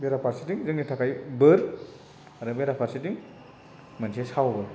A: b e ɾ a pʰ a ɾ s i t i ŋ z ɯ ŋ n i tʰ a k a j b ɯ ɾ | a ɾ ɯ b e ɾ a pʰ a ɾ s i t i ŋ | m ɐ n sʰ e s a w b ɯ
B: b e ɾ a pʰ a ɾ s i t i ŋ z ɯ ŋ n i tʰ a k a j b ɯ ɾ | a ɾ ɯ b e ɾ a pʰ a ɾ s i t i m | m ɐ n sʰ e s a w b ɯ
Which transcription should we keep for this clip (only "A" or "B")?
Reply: A